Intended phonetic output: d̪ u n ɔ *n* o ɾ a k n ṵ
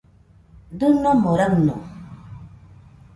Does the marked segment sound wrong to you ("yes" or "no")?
yes